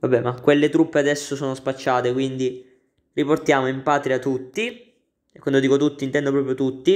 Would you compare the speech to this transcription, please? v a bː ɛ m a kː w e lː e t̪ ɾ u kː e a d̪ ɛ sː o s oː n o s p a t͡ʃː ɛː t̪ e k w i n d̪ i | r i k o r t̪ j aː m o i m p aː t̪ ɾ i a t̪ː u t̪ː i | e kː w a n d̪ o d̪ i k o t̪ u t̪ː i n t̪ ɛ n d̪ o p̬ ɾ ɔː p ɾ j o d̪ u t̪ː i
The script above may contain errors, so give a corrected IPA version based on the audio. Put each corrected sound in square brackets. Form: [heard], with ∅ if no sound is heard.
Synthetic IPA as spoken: v a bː ɛ m a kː w e lː e t̪ ɾ u [pː] e a d̪ ɛ sː o s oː n o s p a t͡ʃː [aː] t̪ e k w i n d̪ i | r i [p] o r t̪ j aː m o i m p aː t̪ ɾ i a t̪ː u t̪ː i | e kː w a n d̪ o d̪ i k o t̪ u t̪ː i n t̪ ɛ n d̪ o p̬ ɾ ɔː p ɾ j o [t̪] u t̪ː i